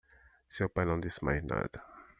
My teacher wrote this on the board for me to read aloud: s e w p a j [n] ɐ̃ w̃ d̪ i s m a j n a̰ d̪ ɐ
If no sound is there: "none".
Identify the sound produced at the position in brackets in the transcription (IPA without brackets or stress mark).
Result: n